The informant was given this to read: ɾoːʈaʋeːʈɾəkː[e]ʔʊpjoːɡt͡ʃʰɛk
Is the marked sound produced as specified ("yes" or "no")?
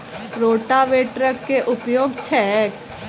yes